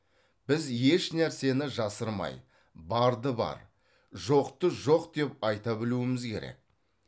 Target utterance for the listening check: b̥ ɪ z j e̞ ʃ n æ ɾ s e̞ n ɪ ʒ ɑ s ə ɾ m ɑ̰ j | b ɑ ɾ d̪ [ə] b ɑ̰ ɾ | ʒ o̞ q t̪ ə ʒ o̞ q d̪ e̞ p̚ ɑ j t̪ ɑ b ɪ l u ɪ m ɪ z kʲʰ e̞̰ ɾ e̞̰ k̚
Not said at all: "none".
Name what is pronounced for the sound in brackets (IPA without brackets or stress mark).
ə